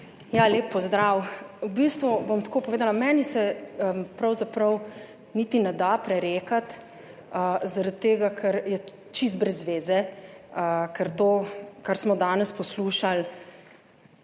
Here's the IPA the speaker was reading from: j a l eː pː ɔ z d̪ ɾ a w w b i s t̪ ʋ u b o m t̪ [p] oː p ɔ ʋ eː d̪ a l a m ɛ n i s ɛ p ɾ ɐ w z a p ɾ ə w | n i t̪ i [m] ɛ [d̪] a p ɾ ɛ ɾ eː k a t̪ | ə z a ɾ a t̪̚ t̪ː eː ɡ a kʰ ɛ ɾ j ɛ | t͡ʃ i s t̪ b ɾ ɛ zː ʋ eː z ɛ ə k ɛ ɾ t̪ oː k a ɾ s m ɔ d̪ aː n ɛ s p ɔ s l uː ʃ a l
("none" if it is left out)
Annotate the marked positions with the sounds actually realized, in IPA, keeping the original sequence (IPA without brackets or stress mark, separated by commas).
k, n, d̪